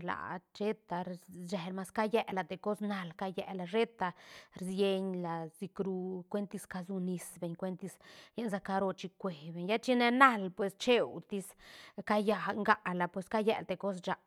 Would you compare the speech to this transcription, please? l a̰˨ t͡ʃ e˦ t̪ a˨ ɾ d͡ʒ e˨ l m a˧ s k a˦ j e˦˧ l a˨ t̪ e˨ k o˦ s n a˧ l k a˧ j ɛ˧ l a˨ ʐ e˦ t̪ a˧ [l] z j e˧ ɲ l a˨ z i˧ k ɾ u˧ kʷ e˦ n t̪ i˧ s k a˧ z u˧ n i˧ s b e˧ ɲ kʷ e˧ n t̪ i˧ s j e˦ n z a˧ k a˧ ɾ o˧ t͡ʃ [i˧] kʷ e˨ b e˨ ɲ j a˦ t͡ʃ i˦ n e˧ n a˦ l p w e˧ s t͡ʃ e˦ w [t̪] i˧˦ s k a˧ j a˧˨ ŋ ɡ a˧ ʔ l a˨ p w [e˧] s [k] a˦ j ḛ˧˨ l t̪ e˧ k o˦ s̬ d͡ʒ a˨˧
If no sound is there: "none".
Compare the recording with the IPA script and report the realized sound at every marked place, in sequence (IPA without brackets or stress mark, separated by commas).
ɾ, i˧, t̪, e˧, k